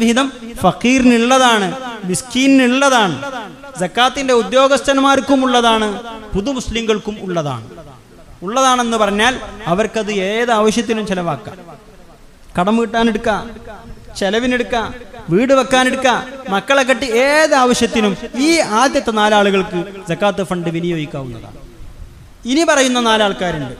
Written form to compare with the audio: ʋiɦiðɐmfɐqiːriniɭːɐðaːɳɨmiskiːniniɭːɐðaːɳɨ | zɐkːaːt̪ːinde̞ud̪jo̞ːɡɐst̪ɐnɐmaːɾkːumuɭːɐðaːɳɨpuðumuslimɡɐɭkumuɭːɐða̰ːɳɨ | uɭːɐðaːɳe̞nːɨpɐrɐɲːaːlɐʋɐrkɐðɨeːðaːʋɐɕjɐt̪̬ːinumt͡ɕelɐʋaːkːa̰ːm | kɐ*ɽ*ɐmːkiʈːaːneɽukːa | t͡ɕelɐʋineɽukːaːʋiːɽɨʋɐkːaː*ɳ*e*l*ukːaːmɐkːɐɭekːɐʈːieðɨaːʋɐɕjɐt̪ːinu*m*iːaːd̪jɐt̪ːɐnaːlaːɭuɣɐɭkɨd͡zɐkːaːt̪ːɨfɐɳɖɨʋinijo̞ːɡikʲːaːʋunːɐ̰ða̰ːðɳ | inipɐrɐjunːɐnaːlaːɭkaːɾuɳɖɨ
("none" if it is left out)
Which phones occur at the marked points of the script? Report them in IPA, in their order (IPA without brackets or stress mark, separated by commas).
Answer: ɽ, n, ɽ, m